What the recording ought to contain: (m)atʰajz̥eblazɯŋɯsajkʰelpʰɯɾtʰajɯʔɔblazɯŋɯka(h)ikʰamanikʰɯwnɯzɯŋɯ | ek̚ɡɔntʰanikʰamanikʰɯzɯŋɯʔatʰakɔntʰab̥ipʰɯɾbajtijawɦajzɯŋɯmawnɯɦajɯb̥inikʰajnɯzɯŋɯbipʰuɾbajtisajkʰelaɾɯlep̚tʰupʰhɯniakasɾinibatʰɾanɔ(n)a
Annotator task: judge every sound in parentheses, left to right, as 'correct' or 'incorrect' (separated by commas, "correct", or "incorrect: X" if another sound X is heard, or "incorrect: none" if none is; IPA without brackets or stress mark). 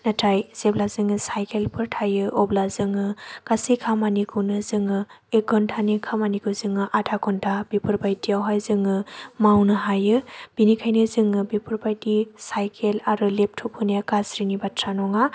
incorrect: n, incorrect: s, incorrect: ŋ